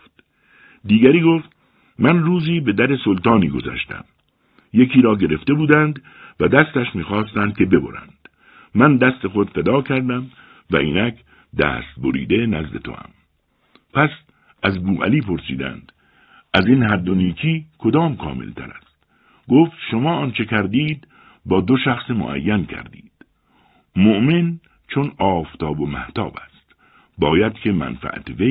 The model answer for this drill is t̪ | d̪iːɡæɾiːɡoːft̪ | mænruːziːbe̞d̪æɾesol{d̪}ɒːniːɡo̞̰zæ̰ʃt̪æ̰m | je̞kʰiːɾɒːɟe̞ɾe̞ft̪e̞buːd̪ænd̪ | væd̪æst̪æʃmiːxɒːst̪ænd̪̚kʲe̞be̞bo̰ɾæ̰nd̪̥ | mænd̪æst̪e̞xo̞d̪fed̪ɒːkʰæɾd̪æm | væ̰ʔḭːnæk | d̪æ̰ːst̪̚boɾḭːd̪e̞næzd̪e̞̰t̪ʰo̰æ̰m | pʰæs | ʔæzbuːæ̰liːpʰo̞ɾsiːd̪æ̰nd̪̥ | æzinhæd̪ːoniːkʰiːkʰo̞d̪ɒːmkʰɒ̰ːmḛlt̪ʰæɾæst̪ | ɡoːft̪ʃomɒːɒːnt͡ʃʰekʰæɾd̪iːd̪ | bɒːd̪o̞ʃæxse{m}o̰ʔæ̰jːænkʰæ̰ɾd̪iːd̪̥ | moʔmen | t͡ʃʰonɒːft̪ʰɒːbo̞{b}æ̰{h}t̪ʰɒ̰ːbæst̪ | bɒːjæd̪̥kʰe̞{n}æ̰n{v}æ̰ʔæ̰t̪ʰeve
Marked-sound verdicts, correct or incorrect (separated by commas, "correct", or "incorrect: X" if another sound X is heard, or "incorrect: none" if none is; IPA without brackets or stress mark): incorrect: t̪, correct, incorrect: m, correct, incorrect: m, incorrect: f